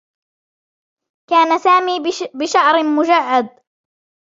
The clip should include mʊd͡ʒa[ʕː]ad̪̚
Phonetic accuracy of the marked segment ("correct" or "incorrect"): correct